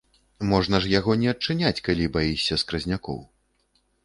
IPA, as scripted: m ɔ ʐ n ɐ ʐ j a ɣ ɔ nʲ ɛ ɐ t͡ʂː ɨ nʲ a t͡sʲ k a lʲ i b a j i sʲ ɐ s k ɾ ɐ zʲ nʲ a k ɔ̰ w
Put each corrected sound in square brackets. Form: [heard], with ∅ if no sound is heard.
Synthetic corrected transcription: m ɔ ʐ n ɐ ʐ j a ɣ ɔ nʲ ɛ ɐ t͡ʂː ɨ nʲ a t͡sʲ k a lʲ i b a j i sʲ ɐ s k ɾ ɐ zʲ nʲ a k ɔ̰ w